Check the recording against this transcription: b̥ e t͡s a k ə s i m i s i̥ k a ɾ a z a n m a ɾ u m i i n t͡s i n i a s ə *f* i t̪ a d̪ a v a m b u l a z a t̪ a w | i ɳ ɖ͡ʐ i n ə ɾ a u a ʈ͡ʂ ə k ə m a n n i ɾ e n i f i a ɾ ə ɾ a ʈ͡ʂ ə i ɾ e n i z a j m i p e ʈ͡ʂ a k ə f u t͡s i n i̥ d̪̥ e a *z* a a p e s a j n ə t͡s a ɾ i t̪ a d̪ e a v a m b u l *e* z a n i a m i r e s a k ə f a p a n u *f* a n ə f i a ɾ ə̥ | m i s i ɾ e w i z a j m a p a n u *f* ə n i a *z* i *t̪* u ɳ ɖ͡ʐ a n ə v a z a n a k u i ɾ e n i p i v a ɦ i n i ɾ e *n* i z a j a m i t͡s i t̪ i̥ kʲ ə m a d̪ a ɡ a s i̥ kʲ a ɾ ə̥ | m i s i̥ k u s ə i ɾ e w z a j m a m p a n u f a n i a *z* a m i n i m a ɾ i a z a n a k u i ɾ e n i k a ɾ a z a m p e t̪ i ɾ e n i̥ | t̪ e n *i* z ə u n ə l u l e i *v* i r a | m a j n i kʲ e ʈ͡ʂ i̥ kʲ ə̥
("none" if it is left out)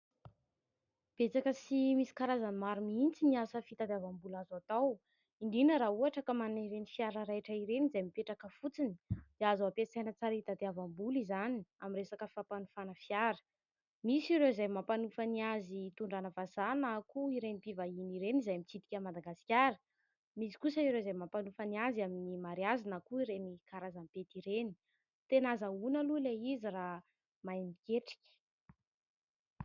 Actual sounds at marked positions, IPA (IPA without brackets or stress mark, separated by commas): f, z, i, f, f, z, t̪, n, z, a, z